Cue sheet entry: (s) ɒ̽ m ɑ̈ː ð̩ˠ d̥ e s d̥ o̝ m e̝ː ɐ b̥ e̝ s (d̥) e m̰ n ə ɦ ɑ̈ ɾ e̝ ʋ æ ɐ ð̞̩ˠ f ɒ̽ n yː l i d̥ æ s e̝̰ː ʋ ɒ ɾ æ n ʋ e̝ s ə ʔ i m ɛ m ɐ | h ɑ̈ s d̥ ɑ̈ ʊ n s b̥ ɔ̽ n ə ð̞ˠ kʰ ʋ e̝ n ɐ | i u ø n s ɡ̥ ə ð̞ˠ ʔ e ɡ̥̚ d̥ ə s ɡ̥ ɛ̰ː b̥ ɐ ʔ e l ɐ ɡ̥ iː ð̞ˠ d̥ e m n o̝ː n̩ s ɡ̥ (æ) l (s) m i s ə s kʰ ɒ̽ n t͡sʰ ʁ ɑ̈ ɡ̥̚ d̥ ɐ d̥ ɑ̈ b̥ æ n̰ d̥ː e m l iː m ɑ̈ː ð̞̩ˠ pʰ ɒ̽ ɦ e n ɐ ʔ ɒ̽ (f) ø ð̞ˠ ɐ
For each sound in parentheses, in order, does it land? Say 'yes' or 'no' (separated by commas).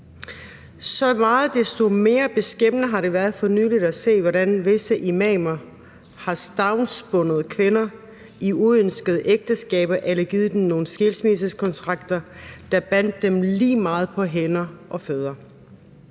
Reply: yes, no, no, yes, yes